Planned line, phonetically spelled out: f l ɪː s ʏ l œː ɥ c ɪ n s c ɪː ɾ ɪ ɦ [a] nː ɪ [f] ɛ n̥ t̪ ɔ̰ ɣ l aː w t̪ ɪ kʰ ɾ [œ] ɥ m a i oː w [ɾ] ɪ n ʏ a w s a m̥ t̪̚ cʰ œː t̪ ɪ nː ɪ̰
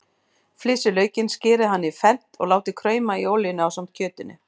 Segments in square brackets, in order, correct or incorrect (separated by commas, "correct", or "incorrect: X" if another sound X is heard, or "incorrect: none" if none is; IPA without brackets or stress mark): correct, correct, incorrect: œː, incorrect: l